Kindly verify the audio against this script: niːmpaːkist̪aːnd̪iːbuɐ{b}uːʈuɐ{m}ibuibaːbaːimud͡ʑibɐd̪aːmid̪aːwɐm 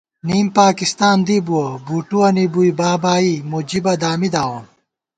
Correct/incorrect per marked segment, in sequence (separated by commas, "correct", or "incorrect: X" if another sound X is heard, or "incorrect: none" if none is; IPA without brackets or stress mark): correct, incorrect: n